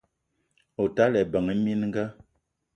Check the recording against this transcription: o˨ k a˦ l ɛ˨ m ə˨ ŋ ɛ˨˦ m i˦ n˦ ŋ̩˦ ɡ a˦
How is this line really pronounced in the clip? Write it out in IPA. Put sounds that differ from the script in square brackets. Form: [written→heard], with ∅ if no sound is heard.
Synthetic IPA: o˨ [k→t] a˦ l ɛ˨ [m→b] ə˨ ŋ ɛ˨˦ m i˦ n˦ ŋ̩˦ ɡ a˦